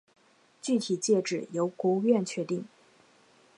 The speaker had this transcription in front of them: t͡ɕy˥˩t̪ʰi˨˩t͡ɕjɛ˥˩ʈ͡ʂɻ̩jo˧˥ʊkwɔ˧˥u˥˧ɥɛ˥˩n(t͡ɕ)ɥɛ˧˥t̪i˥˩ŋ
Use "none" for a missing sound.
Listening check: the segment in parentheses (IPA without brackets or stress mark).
t͡ɕʰ